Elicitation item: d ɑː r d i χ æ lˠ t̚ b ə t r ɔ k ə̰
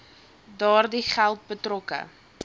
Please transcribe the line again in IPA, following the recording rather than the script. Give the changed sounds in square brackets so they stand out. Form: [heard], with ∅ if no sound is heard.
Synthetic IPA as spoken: d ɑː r d i χ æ lˠ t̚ b ə t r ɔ k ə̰